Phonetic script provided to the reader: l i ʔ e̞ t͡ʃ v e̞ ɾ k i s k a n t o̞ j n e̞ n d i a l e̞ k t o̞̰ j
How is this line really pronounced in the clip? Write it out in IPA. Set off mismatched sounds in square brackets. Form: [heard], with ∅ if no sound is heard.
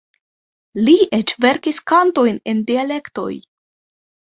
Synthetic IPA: l i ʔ e̞ t͡ʃ v e̞ ɾ k i s k a n t o̞ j n e̞ n d i a l e̞ k t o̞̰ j